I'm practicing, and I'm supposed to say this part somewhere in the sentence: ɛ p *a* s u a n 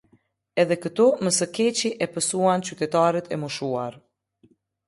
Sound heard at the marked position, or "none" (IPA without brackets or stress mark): ə